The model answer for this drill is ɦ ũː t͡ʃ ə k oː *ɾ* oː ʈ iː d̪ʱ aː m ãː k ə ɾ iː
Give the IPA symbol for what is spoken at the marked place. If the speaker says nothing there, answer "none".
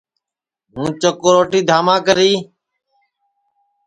ɾ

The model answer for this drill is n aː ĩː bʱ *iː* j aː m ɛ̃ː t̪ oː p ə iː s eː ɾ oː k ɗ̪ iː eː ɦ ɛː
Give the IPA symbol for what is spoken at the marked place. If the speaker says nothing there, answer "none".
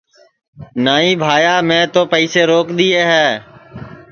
aː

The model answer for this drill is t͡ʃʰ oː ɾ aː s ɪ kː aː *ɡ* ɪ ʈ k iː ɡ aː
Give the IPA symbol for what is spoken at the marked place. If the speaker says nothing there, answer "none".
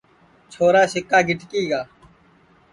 ɡ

